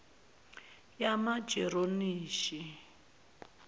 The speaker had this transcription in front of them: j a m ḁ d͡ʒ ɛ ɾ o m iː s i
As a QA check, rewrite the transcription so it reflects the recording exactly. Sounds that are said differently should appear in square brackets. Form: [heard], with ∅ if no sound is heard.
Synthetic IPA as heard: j a m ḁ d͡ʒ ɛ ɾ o [n] iː [ʃ] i